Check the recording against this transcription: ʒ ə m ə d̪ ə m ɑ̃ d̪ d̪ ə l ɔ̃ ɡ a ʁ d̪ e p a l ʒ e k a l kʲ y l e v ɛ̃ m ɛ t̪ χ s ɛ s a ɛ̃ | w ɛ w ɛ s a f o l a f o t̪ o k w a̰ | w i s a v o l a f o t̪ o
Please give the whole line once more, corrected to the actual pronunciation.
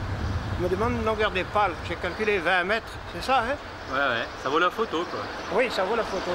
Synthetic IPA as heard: ʒ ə m ə d̪ ə m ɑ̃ d̪ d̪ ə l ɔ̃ ɡ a ʁ d̪ e p a l ʒ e k a l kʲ y l e v ɛ̃ m ɛ t̪ χ s ɛ s a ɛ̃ | w ɛ w ɛ s a v o l a f o t̪ o k w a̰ | w i s a v o l a f o t̪ o